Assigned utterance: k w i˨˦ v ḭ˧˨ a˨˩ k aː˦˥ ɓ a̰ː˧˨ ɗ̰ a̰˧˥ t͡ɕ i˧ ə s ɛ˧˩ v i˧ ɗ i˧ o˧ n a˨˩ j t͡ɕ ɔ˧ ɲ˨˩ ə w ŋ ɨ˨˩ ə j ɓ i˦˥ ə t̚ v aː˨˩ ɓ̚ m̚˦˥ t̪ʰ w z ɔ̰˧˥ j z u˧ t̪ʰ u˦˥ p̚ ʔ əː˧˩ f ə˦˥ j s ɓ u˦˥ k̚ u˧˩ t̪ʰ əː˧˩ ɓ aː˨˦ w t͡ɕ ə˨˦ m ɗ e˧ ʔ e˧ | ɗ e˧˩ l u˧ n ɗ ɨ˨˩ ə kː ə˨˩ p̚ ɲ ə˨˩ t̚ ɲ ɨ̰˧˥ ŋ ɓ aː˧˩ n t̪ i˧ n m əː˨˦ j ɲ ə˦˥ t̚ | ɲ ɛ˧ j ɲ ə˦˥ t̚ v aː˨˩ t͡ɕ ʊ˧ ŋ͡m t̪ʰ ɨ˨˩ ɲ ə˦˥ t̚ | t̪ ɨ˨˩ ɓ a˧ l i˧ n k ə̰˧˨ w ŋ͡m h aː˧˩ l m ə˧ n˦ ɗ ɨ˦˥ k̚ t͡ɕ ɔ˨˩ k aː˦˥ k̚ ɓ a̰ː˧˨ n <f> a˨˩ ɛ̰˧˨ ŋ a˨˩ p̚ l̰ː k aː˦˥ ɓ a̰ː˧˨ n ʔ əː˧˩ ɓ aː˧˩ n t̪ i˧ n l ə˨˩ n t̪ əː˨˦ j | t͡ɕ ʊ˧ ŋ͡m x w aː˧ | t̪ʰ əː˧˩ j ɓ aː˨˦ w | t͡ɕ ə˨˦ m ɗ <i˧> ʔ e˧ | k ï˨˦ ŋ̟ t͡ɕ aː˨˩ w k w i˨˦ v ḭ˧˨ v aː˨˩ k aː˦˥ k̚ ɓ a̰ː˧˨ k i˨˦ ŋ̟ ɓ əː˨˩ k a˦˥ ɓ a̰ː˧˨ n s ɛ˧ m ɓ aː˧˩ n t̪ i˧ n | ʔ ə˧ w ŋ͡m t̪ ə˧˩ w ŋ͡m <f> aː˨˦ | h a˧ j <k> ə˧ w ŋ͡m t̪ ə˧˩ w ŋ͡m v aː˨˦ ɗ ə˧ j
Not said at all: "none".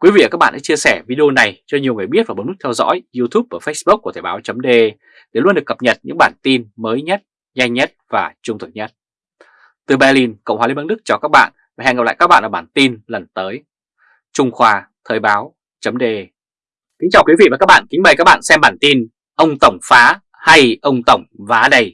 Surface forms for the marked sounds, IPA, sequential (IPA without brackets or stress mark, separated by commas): v, e˧, f, ʔ